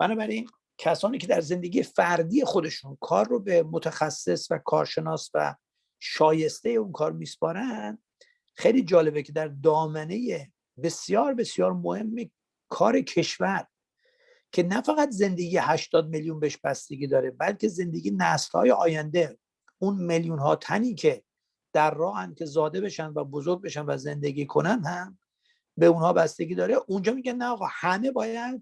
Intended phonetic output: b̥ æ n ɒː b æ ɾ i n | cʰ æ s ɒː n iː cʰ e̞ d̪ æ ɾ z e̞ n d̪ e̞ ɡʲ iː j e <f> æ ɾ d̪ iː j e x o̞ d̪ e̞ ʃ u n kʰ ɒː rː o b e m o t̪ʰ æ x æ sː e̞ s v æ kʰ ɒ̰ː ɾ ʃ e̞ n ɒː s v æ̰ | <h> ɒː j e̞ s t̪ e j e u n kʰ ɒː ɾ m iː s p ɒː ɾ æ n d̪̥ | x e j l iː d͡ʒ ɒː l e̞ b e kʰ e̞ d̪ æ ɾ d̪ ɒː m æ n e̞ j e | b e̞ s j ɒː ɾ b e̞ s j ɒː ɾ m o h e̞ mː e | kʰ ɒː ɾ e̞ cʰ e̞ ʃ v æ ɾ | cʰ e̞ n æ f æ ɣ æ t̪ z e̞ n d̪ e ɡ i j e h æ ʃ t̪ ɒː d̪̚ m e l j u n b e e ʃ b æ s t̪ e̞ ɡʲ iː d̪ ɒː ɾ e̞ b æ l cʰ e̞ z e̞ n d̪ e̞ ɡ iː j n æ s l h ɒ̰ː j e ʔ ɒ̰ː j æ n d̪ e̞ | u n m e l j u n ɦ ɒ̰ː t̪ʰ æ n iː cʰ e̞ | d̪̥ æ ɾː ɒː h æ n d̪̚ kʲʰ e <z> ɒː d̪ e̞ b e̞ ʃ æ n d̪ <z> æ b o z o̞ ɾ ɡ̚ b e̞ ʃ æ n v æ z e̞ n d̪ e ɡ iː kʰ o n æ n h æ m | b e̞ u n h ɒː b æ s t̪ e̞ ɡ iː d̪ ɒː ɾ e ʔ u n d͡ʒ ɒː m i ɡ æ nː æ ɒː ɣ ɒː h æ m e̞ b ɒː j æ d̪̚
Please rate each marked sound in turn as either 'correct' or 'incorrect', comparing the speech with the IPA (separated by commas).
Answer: correct, incorrect, correct, incorrect